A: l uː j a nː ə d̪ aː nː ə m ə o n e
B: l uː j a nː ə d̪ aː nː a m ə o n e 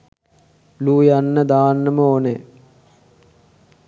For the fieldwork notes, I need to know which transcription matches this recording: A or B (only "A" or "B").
A